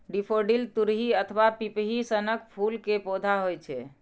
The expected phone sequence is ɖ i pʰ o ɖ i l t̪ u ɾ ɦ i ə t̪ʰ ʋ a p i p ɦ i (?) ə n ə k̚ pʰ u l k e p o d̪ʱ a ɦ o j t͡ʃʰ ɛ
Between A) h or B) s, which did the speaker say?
B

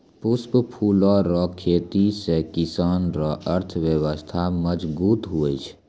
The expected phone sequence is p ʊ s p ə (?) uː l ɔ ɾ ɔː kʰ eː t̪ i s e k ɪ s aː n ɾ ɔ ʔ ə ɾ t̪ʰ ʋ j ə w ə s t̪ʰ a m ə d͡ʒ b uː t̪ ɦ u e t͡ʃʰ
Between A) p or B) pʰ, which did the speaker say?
B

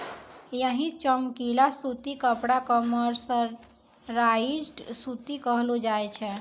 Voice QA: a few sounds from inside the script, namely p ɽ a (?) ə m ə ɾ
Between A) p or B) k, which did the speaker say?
B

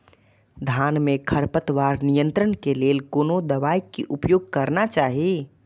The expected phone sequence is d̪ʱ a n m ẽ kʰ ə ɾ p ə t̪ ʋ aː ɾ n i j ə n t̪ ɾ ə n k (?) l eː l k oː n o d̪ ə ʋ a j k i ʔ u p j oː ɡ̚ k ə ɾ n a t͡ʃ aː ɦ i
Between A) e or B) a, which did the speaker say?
A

